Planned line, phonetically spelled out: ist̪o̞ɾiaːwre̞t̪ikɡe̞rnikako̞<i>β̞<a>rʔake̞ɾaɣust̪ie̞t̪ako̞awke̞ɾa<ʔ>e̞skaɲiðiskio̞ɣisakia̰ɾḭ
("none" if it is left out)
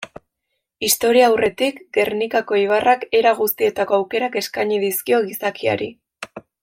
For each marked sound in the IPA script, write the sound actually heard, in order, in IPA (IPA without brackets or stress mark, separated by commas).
i, a, k